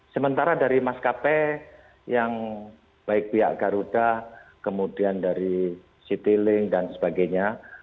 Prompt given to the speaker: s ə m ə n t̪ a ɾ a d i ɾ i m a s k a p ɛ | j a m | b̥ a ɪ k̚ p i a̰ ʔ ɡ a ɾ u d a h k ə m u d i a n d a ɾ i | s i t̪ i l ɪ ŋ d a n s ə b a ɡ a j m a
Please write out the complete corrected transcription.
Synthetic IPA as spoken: s ə m ə n t̪ a ɾ a d a ɾ i m a s k a p ɛ | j a ŋ | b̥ a ɪ k̚ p i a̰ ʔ ɡ a ɾ u d a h k ə m u d i a n d a ɾ i | s i t̪ i l ɪ ŋ d a n s ə b a ɡ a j ɲ a